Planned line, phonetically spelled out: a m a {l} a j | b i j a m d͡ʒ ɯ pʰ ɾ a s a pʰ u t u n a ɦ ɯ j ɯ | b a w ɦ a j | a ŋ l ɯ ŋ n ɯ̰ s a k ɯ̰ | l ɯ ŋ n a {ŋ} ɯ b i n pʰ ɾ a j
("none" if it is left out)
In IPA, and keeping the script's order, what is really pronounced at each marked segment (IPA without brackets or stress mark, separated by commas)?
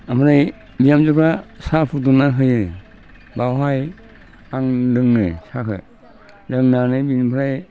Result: ɾ, n